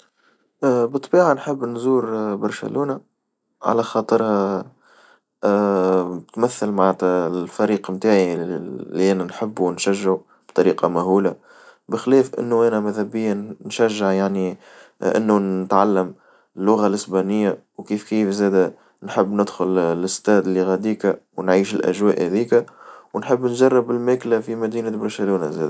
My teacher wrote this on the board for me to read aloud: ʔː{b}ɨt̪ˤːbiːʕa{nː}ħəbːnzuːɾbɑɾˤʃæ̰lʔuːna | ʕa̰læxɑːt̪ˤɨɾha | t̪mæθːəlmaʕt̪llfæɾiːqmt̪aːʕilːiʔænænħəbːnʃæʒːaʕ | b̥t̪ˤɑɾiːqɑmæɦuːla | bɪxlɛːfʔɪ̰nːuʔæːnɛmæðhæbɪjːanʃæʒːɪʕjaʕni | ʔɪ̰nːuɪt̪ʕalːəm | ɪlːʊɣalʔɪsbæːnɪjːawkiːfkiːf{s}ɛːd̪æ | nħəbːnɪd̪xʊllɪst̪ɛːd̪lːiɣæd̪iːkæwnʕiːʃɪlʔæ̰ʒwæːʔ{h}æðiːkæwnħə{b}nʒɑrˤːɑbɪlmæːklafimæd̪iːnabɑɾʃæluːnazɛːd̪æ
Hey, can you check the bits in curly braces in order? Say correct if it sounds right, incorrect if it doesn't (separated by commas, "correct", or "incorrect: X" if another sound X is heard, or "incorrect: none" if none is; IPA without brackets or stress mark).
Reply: correct, incorrect: n, incorrect: z, correct, incorrect: bː